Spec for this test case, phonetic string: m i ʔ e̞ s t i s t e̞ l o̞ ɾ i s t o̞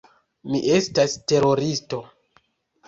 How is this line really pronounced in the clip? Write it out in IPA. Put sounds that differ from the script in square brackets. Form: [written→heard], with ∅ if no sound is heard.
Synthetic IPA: m i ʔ e̞ s t [i→a] s t e̞ [l→ɾ] o̞ ɾ i s t o̞